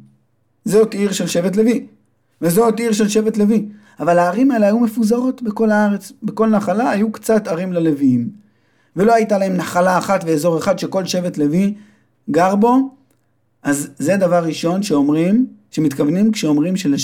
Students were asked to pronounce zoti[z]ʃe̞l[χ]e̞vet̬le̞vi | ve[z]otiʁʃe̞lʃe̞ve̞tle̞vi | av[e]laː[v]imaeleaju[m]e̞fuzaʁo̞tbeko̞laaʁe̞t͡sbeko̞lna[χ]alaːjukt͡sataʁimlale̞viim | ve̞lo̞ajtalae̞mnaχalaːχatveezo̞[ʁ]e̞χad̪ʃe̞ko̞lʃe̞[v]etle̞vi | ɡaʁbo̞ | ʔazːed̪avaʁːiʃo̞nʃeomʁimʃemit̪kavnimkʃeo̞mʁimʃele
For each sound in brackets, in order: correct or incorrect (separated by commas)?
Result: incorrect, incorrect, correct, incorrect, incorrect, correct, correct, correct, correct